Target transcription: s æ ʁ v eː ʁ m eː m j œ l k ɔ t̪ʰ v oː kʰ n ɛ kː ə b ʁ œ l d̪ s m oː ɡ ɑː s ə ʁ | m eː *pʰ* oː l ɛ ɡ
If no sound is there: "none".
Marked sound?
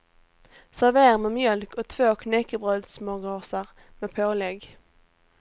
pʰ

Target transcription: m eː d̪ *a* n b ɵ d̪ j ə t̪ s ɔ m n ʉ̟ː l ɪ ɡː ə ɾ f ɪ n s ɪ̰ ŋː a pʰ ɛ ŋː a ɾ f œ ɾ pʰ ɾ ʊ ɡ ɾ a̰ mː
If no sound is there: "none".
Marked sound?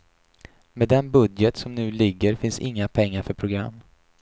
ɛ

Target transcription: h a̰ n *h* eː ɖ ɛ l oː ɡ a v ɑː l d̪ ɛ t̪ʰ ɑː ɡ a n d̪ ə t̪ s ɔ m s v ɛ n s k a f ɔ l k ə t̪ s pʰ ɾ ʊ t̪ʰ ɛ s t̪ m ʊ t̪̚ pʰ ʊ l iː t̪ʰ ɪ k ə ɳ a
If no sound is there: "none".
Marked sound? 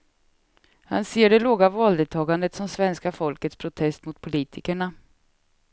s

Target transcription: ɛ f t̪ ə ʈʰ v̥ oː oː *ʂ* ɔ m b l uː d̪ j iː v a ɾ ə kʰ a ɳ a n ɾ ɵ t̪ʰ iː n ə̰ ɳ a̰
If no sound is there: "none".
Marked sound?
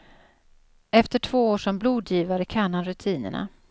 ʂ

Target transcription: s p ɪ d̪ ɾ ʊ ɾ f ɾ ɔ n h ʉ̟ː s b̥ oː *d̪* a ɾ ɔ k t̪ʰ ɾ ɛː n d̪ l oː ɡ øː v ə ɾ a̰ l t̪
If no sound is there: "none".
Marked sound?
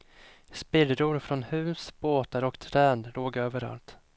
t̪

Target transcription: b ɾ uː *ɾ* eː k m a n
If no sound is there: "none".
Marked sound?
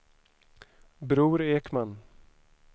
ɾ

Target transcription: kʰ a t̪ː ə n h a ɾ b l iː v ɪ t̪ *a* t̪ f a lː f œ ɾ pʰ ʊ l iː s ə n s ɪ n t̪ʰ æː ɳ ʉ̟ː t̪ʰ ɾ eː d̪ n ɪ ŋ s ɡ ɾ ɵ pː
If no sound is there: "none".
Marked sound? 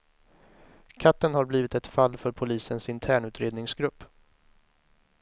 ɛ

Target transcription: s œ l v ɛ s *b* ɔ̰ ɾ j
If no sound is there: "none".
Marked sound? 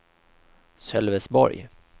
b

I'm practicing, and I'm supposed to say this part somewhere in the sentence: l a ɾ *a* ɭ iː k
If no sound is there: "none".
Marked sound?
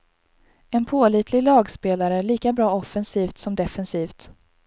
ə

